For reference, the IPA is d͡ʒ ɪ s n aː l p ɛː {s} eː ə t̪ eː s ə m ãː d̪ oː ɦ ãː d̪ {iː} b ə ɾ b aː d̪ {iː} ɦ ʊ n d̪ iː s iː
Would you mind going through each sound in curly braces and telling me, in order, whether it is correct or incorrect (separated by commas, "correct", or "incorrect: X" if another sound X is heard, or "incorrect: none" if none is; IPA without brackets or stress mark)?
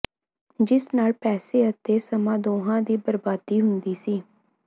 correct, correct, correct